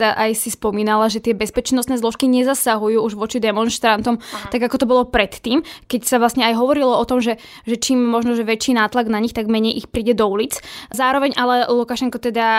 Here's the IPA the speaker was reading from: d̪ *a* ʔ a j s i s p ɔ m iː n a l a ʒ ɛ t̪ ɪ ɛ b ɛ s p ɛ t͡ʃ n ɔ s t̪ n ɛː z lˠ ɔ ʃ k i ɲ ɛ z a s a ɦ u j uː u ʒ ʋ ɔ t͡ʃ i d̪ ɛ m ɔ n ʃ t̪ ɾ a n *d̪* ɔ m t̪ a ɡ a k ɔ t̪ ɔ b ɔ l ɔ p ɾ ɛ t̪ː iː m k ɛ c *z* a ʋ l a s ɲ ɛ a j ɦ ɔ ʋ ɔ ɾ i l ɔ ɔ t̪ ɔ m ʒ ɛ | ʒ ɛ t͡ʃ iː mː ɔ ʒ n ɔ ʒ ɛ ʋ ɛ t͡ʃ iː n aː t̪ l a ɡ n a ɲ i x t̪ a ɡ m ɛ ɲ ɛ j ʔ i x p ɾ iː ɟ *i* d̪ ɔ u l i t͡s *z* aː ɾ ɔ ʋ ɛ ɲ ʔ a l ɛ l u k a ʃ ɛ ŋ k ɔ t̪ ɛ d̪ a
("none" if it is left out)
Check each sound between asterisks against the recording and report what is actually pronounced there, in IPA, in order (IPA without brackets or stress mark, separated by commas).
a, t̪, s, ɛ, z